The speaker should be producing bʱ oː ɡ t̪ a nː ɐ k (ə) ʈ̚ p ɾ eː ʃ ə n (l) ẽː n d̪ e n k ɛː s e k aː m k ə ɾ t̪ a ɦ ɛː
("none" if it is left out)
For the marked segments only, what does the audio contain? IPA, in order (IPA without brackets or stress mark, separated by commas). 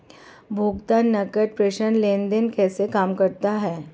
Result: ə, l